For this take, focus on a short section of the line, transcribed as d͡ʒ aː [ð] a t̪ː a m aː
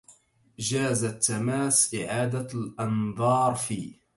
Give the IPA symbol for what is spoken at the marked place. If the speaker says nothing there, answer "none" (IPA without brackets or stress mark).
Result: z